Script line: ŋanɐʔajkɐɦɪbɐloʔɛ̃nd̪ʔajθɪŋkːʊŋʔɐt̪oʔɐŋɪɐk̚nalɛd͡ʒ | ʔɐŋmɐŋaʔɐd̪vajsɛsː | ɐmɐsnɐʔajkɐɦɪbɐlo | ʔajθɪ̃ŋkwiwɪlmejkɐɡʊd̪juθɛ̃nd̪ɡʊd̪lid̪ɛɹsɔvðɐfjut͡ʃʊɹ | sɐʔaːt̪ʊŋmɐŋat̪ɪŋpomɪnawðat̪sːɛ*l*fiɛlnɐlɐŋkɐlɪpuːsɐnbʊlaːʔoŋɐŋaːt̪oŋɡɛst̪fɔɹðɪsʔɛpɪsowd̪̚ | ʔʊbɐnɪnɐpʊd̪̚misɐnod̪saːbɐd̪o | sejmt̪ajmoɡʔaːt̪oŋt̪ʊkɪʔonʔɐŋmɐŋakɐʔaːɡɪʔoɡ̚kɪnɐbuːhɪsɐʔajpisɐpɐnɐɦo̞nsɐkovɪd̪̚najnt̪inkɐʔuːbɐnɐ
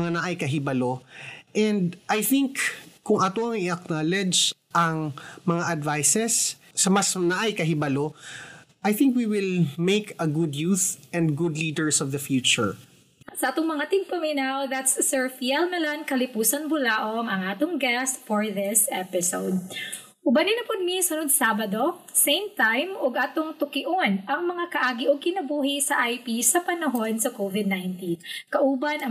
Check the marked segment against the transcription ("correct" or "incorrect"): incorrect